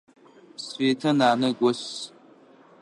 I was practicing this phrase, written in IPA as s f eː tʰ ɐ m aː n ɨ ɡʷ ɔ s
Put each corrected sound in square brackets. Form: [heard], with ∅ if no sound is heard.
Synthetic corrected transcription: s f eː tʰ ɐ [n] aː n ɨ ɡʷ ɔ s